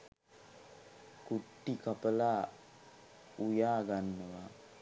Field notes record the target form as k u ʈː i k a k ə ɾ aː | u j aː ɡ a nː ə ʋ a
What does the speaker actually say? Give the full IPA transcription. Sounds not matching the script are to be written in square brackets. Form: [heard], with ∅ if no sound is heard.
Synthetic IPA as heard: k u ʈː i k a [p] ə [l] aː | u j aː ɡ a nː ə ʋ a